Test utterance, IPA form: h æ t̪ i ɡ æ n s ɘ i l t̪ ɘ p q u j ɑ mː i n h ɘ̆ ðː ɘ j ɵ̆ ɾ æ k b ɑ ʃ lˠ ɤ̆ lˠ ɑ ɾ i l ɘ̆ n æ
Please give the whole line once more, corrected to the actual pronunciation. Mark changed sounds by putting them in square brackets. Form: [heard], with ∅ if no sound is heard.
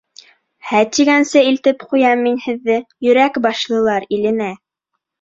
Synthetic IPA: h æ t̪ i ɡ æ n s ɘ i l t̪ ɘ p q u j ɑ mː i n h ɘ̆ ðː ɘ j ɵ̆ ɾ æ k b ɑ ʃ lˠ ɤ̆ lˠ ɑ ɾ i l ɘ̆ n æ